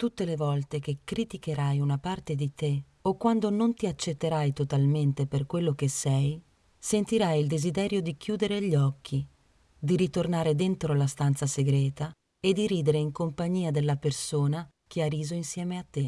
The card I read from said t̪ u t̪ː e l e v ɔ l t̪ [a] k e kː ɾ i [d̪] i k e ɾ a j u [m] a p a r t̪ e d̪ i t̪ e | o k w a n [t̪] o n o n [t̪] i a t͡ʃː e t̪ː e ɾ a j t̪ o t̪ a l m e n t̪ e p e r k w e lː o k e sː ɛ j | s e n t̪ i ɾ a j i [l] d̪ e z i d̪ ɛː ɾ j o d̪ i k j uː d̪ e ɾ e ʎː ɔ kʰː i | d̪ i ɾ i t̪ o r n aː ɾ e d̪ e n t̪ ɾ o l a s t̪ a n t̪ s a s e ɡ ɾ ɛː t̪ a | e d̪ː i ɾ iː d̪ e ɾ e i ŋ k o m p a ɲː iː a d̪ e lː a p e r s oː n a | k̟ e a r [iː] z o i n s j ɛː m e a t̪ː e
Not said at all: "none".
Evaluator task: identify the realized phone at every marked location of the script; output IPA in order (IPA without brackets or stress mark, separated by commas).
e, t̪, n, d̪, t̪, l, iː